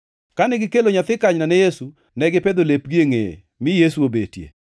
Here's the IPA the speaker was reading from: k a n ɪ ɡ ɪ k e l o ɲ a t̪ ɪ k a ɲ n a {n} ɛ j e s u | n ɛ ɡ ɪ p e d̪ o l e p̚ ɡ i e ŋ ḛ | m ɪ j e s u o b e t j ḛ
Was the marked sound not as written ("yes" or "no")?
no